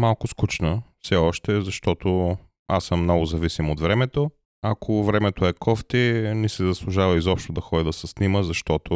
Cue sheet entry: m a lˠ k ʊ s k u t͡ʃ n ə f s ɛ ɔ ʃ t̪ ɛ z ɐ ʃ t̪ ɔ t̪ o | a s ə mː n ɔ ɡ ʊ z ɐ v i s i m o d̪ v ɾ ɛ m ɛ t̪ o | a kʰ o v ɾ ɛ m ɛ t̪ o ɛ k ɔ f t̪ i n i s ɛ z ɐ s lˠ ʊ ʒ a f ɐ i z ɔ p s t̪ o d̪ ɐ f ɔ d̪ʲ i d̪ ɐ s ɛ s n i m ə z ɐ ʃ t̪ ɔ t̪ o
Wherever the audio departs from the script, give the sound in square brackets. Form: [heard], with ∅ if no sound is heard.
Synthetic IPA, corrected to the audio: m a lˠ k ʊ s k u t͡ʃ n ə f s ɛ ɔ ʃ t̪ ɛ z ɐ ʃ t̪ ɔ t̪ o | a s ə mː n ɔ ɡ ʊ z ɐ v i s i m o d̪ v ɾ ɛ m ɛ t̪ o | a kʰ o v ɾ ɛ m ɛ t̪ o ɛ k ɔ f t̪ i n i s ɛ z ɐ s lˠ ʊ ʒ a [v] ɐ i z ɔ p [ʃ] t̪ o d̪ ɐ [x] ɔ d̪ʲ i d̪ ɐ s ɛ s n i m ə z ɐ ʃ t̪ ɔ t̪ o